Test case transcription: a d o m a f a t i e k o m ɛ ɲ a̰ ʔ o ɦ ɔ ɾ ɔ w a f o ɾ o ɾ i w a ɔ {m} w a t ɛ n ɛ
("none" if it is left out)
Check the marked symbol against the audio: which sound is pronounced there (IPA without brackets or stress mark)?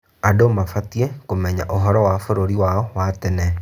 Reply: none